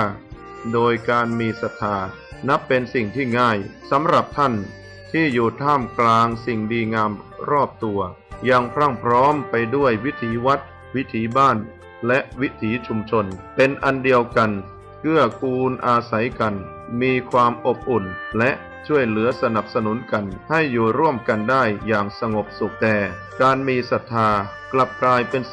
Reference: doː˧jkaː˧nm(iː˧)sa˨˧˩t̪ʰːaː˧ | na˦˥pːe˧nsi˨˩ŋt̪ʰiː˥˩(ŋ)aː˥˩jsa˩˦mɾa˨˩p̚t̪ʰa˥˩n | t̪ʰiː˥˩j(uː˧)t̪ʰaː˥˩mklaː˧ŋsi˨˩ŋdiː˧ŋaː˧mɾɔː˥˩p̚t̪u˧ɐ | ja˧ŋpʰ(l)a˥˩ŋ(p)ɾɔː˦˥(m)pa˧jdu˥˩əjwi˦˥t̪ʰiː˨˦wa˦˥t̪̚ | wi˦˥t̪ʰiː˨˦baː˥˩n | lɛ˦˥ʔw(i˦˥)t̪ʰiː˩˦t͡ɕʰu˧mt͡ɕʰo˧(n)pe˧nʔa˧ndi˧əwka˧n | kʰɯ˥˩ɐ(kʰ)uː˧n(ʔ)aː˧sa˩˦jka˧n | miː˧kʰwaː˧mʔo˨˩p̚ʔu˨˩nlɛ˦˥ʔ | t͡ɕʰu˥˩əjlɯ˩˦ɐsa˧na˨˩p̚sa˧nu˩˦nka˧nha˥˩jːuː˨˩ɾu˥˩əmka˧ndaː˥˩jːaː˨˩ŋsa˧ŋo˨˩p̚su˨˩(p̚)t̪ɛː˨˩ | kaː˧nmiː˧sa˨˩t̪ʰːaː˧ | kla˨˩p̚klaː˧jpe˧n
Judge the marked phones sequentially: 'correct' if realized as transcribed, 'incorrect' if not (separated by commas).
correct, correct, incorrect, incorrect, incorrect, correct, correct, correct, correct, correct, incorrect